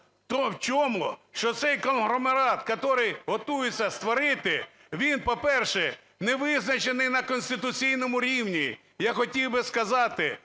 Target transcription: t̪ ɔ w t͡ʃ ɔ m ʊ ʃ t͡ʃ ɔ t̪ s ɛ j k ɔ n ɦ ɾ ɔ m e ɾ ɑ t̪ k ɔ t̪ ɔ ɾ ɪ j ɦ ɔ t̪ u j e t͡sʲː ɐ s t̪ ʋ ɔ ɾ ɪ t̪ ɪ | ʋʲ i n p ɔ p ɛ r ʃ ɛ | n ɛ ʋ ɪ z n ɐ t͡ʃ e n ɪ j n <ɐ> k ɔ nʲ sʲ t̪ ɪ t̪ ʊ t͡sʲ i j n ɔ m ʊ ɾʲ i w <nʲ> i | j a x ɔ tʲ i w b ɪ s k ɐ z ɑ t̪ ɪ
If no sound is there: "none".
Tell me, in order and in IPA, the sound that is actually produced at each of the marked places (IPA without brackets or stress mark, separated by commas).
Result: ɐ, nʲ